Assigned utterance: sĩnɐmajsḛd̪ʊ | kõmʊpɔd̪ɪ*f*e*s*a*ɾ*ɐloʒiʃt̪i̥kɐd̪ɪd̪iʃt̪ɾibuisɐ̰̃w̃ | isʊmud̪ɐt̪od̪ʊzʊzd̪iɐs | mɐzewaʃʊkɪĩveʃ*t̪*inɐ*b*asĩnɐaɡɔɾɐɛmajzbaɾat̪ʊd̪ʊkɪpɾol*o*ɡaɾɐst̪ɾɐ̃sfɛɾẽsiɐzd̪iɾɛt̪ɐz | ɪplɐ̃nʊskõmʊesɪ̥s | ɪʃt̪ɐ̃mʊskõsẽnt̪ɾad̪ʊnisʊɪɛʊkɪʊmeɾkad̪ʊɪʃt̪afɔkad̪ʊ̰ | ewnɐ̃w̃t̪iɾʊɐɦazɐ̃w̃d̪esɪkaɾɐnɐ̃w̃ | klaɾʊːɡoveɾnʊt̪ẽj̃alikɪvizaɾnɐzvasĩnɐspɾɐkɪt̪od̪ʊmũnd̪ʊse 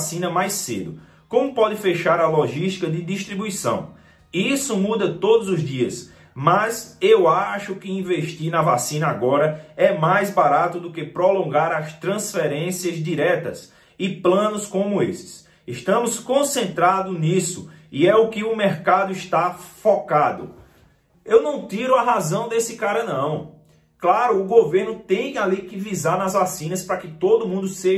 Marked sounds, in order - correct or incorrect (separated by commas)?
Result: correct, incorrect, correct, correct, incorrect, incorrect